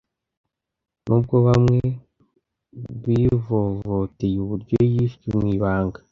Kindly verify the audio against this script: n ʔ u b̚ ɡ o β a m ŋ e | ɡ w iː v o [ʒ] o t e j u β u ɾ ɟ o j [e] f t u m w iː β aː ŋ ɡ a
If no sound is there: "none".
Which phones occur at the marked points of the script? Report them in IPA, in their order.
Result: v, i

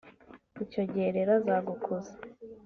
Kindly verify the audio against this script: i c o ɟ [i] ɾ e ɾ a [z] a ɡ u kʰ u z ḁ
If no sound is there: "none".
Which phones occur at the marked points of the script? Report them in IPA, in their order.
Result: e, z

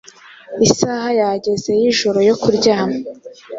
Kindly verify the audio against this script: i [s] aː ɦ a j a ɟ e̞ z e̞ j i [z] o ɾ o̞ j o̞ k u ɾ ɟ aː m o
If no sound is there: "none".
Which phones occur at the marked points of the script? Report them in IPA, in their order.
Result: s, ʒ

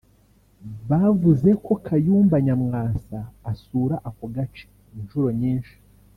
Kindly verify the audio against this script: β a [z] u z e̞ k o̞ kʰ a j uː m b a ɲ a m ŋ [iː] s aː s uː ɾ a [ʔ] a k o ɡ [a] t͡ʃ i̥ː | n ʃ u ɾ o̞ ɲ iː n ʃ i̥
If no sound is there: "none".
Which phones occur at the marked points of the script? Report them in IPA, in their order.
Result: v, aː, ʔ, a

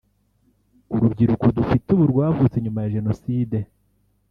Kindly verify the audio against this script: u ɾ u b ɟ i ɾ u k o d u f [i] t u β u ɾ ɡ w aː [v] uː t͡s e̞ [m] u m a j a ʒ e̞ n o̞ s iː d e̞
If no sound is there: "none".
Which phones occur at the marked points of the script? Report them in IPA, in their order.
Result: i, v, ɲ

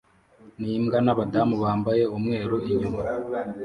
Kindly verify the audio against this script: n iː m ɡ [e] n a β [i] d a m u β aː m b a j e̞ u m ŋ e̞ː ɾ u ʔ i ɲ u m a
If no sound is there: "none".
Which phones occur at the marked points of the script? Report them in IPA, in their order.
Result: a, a

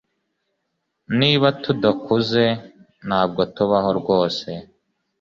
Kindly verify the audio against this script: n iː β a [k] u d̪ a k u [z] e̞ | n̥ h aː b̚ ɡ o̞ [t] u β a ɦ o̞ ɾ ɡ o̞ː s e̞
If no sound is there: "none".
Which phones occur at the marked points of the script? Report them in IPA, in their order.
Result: t, z, t

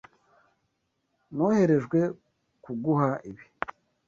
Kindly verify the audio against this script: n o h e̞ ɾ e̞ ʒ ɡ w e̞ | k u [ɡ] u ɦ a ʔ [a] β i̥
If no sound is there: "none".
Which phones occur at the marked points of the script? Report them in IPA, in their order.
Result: ɡ, i

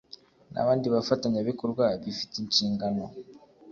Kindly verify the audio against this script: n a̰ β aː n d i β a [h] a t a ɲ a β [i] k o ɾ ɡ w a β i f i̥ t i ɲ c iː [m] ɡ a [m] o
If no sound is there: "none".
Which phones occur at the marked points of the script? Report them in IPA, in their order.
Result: f, i, ŋ, n

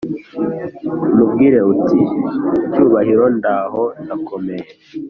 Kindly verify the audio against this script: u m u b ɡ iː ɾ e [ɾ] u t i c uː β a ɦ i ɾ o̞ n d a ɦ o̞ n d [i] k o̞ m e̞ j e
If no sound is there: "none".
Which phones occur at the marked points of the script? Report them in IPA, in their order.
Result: none, a

